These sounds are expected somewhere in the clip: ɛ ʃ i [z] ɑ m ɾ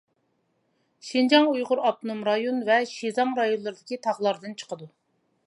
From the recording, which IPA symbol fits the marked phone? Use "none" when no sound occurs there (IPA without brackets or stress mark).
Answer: z